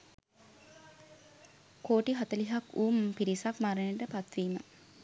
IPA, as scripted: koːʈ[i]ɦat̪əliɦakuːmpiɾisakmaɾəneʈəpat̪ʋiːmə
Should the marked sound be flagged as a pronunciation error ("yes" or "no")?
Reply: no